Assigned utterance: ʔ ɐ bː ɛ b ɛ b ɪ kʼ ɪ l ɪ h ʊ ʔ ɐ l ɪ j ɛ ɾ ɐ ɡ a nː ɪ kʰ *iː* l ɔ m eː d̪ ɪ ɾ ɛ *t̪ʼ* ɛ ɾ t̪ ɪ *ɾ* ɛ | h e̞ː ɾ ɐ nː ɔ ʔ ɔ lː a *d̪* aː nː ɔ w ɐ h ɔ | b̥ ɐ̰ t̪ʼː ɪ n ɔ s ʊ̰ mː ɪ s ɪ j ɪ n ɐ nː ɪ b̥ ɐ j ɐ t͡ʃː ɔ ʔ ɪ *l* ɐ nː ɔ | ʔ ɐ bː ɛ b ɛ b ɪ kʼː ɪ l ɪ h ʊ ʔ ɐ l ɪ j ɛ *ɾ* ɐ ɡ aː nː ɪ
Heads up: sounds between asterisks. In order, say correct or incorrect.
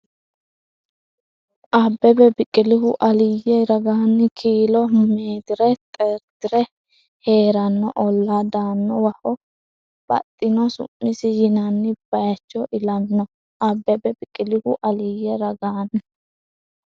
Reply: correct, correct, correct, correct, correct, correct

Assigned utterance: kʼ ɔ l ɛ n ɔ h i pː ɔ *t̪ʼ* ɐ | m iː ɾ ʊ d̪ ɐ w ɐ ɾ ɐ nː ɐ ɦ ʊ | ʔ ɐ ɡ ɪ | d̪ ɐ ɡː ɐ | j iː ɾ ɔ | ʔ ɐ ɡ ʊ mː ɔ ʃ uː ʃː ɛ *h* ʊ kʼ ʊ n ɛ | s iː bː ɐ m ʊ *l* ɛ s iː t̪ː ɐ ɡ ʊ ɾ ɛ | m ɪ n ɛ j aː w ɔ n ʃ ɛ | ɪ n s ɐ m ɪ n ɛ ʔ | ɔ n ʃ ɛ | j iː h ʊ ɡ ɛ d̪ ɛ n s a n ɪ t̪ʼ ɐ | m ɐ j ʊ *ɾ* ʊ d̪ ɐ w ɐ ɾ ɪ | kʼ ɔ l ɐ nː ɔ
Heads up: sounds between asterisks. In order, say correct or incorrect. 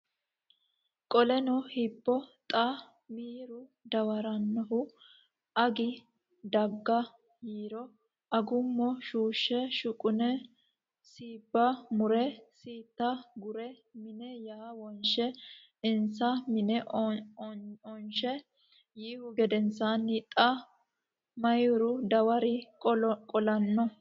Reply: correct, incorrect, incorrect, correct

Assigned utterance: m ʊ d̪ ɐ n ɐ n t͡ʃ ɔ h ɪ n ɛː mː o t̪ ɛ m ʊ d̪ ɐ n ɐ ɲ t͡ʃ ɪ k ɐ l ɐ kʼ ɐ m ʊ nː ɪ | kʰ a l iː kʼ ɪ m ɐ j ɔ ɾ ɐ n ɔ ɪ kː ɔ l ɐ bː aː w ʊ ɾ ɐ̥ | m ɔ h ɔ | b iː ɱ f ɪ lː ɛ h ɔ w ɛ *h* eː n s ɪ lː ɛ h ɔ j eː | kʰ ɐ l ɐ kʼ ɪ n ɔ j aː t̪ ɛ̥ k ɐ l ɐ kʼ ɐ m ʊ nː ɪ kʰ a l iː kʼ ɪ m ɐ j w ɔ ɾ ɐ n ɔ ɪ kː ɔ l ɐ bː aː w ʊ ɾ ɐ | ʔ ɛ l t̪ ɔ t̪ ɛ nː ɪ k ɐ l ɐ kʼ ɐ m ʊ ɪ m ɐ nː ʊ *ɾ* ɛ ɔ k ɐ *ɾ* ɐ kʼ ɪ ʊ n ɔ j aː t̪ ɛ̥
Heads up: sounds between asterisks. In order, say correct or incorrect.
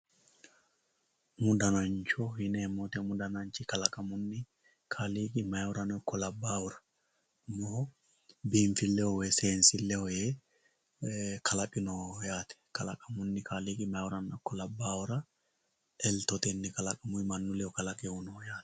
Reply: incorrect, incorrect, incorrect

